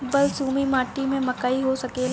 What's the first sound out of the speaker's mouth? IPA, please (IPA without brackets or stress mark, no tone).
b